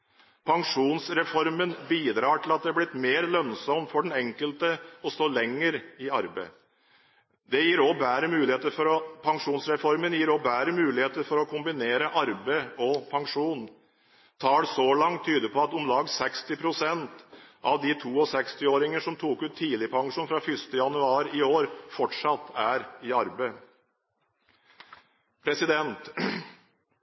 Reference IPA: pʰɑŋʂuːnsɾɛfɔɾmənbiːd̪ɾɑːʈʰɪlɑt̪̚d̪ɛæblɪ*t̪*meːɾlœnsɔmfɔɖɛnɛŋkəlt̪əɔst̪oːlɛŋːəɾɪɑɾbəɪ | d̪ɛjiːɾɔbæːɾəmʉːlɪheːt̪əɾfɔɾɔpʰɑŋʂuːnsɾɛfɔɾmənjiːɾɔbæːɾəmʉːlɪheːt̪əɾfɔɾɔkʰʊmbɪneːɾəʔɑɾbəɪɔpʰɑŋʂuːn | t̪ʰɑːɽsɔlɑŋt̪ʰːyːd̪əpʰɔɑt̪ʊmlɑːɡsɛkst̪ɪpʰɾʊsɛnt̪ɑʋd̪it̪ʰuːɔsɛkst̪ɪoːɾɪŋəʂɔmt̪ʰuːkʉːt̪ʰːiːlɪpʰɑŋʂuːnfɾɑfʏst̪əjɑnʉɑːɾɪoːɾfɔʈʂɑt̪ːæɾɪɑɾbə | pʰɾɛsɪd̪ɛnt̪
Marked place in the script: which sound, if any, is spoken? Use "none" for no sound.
t̪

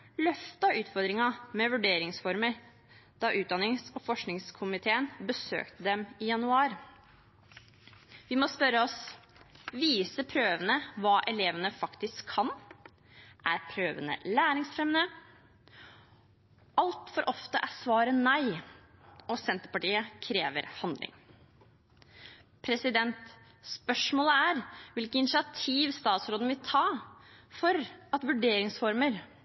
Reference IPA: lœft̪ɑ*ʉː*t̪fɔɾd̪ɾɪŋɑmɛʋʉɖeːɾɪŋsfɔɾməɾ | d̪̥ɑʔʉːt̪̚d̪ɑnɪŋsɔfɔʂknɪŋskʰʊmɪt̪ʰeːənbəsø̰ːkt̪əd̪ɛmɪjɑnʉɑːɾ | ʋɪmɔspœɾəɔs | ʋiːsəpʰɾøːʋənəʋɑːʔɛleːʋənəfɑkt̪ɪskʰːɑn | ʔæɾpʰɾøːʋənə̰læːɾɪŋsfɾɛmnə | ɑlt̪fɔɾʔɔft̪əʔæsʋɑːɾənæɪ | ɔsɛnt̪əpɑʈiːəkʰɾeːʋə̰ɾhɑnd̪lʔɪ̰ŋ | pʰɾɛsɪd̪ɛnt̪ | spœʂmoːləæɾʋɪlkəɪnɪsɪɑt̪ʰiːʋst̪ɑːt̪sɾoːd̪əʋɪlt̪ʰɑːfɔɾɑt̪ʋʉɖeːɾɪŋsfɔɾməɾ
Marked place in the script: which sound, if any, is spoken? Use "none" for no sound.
ʉː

